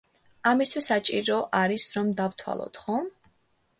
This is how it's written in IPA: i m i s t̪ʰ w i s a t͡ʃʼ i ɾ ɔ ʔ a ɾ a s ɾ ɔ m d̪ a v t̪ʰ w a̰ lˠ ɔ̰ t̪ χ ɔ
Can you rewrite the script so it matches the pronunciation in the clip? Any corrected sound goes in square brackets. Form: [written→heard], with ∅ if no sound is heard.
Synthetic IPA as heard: [i→a] m i s t̪ʰ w i s a t͡ʃʼ i ɾ ɔ ʔ a ɾ [a→i] s ɾ ɔ m d̪ a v t̪ʰ w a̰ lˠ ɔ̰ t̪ χ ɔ